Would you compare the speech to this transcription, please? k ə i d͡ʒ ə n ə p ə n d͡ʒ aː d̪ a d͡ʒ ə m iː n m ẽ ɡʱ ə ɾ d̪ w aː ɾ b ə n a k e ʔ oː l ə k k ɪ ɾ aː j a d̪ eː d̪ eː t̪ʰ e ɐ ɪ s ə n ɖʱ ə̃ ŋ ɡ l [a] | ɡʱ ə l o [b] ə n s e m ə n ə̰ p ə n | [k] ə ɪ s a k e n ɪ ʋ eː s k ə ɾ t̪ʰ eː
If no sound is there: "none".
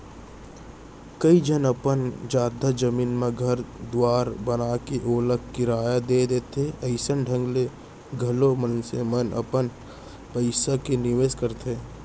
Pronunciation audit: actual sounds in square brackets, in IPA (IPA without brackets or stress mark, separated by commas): e, m, p